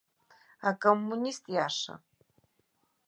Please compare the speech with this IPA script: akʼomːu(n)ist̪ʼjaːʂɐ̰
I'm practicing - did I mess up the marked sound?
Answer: no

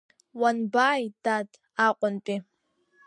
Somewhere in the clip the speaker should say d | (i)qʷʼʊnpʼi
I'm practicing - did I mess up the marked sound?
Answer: yes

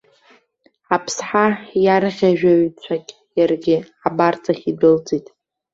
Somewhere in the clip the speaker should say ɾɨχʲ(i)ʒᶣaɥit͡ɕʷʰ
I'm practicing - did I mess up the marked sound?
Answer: yes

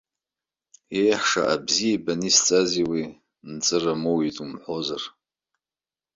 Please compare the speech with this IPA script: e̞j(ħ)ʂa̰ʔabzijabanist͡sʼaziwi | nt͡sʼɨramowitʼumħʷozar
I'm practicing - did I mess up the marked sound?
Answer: no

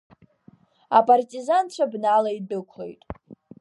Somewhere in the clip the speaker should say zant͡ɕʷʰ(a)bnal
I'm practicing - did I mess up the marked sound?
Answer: no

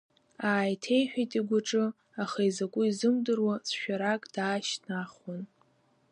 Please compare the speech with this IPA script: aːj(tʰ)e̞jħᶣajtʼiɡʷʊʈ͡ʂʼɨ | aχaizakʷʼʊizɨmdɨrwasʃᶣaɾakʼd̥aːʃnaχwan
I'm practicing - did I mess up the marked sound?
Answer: no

